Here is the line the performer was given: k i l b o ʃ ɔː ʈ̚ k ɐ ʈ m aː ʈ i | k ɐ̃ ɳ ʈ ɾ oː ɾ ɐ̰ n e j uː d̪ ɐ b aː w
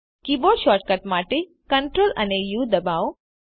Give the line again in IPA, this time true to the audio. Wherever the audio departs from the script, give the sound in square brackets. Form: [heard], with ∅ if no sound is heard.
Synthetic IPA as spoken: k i [∅] b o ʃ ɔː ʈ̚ k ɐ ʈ m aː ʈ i | k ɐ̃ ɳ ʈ ɾ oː [l] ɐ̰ n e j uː d̪ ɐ b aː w